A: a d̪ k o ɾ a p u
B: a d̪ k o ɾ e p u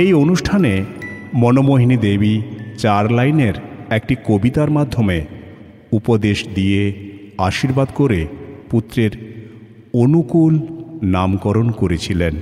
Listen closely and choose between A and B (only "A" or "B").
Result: B